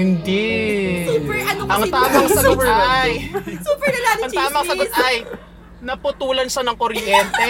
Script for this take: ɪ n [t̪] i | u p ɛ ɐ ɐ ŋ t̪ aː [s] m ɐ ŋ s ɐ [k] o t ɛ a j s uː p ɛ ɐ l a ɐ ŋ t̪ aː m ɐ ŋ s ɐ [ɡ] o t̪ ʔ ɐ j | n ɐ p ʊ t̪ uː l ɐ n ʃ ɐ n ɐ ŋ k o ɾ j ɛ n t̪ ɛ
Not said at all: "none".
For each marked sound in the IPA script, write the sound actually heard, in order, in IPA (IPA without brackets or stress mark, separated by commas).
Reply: d̪, none, ɡ, ɡ